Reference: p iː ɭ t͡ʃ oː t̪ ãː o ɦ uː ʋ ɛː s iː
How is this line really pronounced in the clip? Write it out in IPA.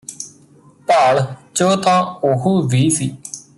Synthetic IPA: p aː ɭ t͡ʃ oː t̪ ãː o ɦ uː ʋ iː s iː